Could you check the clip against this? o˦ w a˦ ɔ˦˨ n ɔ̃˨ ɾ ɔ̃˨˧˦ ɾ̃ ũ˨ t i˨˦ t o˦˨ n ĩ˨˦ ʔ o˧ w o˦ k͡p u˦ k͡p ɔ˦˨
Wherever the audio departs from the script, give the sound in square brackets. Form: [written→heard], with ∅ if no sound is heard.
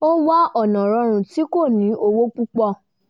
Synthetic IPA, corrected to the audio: o˦ w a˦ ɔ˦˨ n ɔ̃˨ ɾ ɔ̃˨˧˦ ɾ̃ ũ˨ t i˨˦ [t→k] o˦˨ n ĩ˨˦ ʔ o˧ w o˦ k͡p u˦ k͡p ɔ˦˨